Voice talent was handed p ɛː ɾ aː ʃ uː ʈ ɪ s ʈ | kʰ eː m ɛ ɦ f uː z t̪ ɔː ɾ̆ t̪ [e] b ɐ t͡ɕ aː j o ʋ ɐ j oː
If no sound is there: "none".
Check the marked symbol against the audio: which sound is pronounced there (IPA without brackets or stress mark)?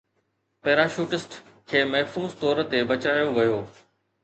e